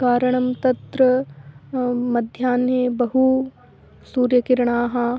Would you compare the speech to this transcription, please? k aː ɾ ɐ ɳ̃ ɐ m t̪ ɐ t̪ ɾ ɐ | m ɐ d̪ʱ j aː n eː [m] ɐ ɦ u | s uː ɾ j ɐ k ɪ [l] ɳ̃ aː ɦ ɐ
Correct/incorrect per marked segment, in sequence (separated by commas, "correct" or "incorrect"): incorrect, incorrect